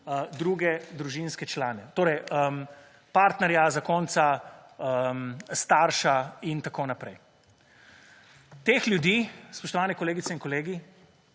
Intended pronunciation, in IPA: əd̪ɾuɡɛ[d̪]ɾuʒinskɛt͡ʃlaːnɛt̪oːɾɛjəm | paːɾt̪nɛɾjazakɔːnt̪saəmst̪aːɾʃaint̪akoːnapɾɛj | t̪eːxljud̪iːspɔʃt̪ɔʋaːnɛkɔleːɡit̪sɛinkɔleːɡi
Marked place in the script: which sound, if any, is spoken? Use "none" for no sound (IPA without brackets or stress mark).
d̪